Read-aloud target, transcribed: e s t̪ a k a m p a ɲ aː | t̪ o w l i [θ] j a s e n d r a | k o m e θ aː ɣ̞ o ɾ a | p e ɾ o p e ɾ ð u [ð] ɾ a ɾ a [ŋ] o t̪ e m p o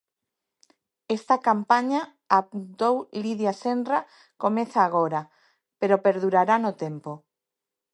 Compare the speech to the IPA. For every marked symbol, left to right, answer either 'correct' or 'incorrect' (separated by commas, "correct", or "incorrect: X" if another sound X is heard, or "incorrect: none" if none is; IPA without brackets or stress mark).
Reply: incorrect: ð, incorrect: none, incorrect: n